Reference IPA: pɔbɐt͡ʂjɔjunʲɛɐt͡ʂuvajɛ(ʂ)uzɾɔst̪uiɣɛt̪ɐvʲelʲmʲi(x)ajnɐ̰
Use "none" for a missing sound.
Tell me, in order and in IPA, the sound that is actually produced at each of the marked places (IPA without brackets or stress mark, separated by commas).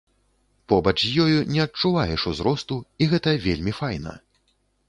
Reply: ʂ, f